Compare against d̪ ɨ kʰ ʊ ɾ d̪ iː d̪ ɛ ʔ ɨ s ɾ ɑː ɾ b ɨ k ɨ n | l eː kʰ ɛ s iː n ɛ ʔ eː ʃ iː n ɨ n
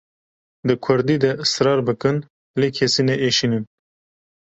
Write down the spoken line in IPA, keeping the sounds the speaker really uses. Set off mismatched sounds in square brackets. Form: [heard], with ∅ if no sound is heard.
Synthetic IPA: d̪ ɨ kʰ ʊ ɾ d̪ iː d̪ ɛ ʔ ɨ s ɾ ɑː ɾ b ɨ k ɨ n | l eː kʰ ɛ s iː n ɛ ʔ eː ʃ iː n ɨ n